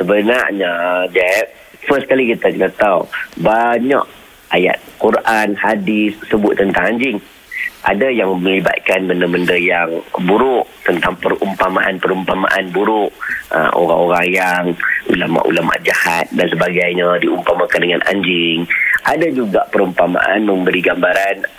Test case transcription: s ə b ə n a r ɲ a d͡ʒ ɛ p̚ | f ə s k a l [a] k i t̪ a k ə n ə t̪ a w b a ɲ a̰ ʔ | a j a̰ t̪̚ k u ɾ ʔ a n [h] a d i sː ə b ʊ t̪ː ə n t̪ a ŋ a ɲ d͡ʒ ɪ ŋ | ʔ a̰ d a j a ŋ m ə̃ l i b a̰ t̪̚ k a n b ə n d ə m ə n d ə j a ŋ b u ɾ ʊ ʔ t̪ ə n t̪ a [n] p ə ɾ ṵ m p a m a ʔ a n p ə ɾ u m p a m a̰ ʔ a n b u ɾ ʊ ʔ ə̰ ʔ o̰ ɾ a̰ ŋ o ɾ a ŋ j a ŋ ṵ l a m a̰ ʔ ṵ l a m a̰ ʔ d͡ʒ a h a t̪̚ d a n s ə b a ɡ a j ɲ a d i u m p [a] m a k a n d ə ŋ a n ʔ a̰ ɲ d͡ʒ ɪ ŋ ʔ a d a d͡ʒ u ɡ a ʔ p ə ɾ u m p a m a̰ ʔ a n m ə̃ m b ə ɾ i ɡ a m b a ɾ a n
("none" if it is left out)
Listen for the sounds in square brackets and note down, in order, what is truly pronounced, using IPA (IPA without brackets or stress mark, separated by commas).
i, h, ŋ, a